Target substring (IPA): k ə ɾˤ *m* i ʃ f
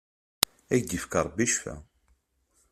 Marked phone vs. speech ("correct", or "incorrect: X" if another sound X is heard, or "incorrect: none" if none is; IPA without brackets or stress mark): incorrect: b